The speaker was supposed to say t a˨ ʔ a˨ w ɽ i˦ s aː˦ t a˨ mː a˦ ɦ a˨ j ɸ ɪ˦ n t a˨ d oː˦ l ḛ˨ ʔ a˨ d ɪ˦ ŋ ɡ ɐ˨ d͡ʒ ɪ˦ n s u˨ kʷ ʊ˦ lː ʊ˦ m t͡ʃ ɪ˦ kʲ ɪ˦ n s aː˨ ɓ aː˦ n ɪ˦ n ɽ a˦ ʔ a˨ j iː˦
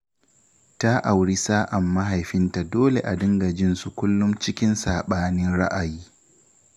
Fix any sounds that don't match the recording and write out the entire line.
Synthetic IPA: t a˦ ʔ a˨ w ɽ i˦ s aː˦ ʔ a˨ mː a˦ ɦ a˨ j ɸ ɪ˦ n t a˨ d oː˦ l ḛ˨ ʔ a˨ d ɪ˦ ŋ ɡ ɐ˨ d͡ʒ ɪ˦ n s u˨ kʷ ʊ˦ lː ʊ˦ m t͡ʃ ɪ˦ kʲ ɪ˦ n s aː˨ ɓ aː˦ n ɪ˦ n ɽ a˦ ʔ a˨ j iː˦

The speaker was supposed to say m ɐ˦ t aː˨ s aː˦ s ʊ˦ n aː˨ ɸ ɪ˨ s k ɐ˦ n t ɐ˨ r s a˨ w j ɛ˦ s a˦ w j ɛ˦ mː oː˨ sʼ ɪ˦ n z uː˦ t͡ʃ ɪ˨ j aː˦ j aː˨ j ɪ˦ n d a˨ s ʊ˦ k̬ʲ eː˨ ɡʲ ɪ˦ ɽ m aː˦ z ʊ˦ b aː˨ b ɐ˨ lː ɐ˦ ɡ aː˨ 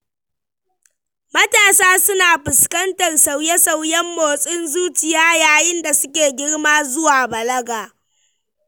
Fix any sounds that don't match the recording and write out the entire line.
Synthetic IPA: m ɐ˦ t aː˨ s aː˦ s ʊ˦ n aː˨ ɸ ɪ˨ s k ɐ˦ n t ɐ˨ r s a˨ w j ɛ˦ s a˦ w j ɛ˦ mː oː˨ sʼ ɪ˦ n z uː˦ t͡ʃ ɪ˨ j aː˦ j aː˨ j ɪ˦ n d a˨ s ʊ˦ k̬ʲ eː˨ ɡʲ ɪ˦ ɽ m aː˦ z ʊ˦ w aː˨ b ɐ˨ l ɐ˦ ɡ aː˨

